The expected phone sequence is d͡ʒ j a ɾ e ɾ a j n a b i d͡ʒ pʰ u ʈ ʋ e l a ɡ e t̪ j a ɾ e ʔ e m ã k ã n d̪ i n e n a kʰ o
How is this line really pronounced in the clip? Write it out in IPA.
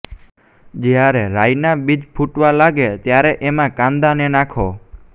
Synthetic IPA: d͡ʒ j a ɾ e ɾ a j n a b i d͡ʒ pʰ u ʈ ʋ a l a ɡ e t̪ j a ɾ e ʔ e m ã k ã n d̪ a n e n a kʰ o